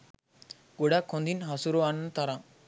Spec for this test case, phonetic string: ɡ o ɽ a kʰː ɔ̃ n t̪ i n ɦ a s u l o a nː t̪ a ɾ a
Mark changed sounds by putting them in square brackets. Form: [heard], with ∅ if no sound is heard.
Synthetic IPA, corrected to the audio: ɡ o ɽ a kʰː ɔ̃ n [d̪] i n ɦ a s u [ɾ] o a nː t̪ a ɾ a